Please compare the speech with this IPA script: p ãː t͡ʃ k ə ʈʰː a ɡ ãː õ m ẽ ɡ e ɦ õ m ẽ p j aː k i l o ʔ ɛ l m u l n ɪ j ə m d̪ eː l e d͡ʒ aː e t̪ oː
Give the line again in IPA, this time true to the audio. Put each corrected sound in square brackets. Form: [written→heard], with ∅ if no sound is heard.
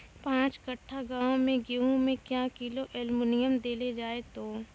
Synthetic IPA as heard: p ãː t͡ʃ k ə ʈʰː a ɡ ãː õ m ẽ ɡ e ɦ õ m ẽ [p→k] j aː k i l o ʔ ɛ l m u [l→∅] n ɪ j ə m d̪ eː l e d͡ʒ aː e t̪ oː